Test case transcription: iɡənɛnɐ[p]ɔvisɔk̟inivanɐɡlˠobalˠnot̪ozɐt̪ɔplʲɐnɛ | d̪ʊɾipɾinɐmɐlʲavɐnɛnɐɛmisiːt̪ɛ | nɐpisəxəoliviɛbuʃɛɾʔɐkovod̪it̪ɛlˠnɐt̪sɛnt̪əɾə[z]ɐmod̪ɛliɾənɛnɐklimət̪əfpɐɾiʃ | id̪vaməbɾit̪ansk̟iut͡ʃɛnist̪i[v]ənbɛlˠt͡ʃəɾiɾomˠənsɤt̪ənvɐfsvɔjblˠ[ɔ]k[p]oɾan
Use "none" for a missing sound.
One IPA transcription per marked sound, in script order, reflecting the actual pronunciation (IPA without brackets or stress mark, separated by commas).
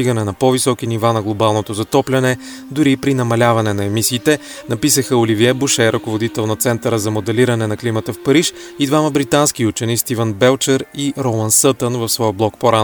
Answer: p, z, v, ɔ, p